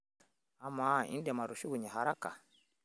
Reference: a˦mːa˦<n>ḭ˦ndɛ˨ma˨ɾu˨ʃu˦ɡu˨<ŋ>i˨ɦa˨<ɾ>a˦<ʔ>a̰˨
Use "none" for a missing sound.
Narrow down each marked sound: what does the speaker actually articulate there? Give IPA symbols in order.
none, ɲ, ɾ, k

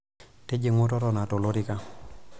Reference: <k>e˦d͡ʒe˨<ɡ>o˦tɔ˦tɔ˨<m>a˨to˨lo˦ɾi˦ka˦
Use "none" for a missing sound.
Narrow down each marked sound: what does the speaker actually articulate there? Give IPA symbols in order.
t, ŋ, n

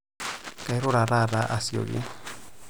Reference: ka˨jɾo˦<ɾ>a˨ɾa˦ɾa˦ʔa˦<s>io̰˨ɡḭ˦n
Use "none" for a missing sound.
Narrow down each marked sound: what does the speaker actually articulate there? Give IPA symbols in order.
ɾ, s

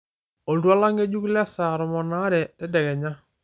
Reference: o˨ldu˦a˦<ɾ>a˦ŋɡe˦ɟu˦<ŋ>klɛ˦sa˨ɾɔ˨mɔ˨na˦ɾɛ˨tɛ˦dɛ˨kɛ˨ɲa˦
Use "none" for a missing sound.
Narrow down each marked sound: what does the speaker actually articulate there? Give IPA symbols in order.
l, none

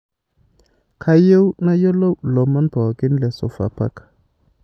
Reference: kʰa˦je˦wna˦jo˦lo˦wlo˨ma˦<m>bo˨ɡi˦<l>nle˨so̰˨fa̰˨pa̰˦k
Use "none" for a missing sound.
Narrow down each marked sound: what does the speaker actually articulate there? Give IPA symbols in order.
n, none

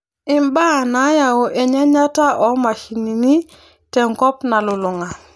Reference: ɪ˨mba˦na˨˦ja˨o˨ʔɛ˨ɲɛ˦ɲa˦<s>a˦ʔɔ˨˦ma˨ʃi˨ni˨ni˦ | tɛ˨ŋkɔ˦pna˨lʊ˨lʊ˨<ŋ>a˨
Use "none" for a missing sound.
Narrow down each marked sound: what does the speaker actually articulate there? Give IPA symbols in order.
t, ŋ

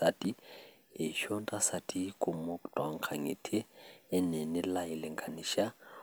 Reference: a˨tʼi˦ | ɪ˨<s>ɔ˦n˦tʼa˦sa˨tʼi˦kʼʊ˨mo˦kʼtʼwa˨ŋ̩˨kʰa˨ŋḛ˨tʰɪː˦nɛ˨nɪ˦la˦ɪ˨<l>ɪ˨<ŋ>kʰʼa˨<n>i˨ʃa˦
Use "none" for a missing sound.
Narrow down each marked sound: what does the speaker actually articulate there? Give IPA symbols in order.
ʃ, l, ŋ, n

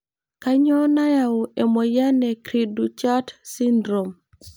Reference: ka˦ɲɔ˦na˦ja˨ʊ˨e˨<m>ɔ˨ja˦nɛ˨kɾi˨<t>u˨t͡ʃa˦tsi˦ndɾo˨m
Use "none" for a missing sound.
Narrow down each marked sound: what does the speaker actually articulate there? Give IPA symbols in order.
m, d

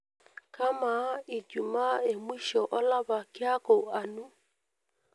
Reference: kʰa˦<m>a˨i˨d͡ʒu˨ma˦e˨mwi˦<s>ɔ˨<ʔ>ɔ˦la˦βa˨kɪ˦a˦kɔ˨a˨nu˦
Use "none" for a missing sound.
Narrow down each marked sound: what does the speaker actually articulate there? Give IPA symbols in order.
m, ʃ, ʔ

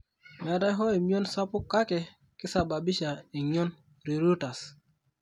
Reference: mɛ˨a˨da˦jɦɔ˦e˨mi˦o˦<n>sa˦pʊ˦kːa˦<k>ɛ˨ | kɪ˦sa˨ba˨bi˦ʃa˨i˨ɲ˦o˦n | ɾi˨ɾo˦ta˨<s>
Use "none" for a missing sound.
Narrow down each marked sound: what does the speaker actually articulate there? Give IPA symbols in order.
n, k, s

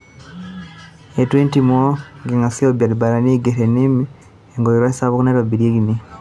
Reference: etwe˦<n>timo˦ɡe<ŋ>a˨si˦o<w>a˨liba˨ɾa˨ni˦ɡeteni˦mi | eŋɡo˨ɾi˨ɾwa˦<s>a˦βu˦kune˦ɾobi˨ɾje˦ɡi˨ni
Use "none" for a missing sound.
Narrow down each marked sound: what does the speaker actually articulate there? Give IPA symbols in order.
n, ŋ, b, s

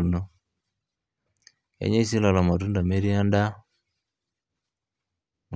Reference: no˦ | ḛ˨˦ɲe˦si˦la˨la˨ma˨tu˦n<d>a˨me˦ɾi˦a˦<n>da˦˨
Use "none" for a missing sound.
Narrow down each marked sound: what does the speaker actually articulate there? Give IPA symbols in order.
d, n

